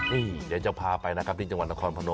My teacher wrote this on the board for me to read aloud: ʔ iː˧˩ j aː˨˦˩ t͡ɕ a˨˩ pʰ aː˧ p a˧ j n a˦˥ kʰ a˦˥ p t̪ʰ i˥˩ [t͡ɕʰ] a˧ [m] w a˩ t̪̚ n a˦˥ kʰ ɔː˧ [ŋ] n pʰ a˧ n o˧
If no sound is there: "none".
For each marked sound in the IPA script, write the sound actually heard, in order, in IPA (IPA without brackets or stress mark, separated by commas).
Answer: t͡ɕ, ŋ, none